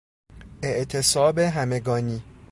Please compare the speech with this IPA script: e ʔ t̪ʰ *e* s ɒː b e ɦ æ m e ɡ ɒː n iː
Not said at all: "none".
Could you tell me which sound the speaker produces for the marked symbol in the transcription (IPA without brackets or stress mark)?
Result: e